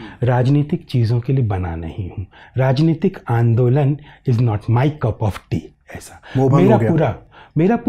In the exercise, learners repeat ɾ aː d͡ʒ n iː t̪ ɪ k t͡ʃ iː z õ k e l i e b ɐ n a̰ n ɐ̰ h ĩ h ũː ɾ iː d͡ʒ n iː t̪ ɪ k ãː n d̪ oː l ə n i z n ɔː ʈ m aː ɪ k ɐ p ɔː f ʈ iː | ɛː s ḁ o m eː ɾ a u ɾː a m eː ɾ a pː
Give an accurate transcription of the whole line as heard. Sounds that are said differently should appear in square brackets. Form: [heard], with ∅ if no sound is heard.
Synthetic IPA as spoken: ɾ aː d͡ʒ n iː t̪ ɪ k t͡ʃ iː z õ k e l i e b ɐ n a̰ n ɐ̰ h ĩ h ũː ɾ [aː] d͡ʒ n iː t̪ ɪ k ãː n d̪ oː l ə n [ɪ] z n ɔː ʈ m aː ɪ k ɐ p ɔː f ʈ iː | ɛː s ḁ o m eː ɾ a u [ɾ] a m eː ɾ a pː